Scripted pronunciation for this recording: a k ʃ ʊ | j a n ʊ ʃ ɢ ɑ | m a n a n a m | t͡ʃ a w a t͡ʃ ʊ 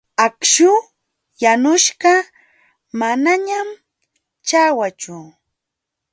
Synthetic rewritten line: a k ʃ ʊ | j a n ʊ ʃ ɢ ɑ | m a n a ɲ a m | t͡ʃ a w a t͡ʃ ʊ